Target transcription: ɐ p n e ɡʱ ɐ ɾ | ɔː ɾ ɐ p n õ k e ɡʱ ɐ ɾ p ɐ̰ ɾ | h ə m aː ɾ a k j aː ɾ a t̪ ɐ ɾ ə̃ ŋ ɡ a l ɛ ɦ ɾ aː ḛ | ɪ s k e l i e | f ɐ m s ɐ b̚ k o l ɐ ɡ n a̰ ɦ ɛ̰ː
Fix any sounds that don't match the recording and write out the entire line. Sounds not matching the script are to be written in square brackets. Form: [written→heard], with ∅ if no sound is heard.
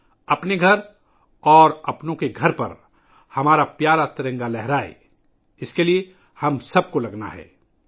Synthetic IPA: ɐ p n e ɡʱ ɐ ɾ | ɔː ɾ ɐ p n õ k e ɡʱ ɐ ɾ p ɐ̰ ɾ | h [ə→ɐ] m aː ɾ a [k→p] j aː ɾ a t̪ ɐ ɾ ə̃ ŋ ɡ a l ɛ ɦ ɾ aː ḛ | ɪ s k e l i e | [f→h] ɐ m s ɐ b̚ k o l ɐ ɡ n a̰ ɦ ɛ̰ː